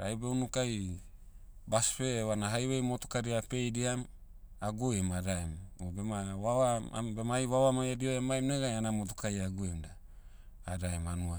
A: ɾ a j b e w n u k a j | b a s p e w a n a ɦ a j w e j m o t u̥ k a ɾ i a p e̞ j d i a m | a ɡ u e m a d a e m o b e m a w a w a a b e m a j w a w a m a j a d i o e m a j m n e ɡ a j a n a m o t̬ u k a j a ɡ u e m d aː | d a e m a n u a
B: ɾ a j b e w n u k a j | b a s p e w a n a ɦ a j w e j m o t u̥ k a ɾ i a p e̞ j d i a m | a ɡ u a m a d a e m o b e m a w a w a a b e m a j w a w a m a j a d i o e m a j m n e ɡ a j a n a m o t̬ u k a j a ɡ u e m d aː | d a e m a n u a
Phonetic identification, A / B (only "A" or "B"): A